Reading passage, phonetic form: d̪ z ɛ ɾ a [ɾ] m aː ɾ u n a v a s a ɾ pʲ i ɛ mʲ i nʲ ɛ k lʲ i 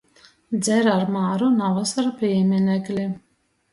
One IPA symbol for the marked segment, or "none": ɾ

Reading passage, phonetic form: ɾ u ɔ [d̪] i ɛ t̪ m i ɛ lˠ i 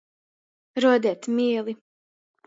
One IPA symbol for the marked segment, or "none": d̪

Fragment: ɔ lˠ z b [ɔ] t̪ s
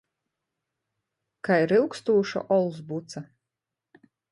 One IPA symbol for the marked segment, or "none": u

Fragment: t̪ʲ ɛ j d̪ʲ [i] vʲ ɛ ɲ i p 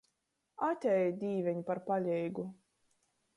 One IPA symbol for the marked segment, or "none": iː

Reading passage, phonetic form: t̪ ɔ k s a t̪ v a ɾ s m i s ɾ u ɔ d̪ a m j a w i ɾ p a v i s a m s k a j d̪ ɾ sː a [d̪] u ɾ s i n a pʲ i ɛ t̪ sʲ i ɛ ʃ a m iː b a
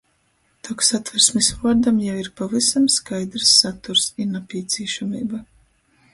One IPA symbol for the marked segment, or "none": t̪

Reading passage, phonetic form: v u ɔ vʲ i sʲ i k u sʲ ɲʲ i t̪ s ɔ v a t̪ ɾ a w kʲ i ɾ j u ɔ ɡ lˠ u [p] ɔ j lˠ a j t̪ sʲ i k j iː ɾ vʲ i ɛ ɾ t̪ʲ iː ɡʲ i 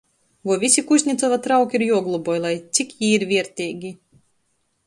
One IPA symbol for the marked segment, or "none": b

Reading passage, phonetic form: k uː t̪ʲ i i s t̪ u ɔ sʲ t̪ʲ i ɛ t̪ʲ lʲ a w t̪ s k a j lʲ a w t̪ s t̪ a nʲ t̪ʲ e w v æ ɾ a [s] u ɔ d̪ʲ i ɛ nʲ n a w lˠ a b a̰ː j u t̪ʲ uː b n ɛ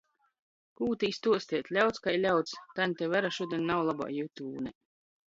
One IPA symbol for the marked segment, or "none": ʃ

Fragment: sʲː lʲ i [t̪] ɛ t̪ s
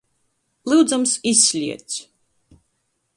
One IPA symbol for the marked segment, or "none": none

